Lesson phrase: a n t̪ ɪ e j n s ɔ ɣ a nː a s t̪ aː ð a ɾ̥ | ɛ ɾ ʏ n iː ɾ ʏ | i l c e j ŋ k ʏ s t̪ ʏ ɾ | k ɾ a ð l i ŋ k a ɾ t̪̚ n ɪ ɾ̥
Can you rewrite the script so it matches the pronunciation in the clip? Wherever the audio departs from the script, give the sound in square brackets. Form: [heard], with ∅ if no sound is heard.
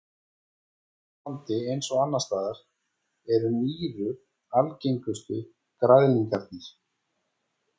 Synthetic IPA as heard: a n t̪ ɪ e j n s ɔ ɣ a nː a s t̪ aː ð a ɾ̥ | ɛ ɾ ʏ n iː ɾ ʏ | [a] l c e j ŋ k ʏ s t̪ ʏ [∅] | k ɾ a ð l i ŋ k a ɾ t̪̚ n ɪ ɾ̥